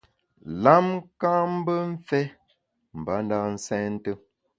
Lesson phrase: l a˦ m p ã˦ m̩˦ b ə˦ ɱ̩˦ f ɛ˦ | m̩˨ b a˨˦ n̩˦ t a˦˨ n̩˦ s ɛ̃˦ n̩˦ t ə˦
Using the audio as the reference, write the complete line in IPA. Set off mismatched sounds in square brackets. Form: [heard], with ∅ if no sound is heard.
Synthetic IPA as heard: l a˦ m [k] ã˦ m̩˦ b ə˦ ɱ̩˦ f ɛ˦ | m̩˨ b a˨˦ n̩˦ [d] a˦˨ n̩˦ s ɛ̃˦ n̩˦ t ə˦

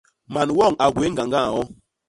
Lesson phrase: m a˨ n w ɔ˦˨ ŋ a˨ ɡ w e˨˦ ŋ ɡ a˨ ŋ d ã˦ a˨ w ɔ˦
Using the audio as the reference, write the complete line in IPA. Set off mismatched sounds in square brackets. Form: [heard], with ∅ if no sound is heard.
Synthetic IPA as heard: m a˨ n w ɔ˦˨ ŋ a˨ ɡ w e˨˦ ŋ ɡ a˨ ŋ [ɡ] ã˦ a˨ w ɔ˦

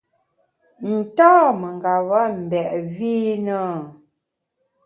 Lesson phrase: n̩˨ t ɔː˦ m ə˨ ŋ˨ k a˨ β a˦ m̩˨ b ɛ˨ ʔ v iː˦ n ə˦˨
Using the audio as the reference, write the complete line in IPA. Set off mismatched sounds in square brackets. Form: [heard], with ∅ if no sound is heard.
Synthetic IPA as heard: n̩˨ t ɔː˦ m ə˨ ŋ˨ [ɡ] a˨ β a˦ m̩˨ b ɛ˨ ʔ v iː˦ n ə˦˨

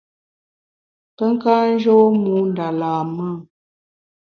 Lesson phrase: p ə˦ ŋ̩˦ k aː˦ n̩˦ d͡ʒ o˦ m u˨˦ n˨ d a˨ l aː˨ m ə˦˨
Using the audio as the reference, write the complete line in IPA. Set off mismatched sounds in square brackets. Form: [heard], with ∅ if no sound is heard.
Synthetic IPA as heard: p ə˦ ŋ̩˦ k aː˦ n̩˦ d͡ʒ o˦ m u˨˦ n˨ d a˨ l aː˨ m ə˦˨

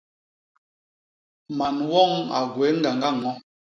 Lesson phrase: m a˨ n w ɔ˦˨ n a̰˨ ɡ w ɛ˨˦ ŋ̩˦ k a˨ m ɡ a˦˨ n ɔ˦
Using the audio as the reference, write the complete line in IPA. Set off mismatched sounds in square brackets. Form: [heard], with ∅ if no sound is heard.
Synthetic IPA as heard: m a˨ n w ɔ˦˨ [ŋ] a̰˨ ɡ w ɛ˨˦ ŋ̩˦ [ɡ] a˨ [ŋ] ɡ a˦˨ [ŋ] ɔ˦

